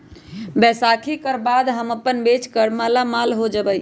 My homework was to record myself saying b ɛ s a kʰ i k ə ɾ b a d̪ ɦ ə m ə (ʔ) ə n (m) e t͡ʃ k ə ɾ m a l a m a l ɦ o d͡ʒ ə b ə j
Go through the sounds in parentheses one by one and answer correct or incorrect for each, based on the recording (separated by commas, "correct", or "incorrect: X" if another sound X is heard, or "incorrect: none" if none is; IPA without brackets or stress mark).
incorrect: p, incorrect: b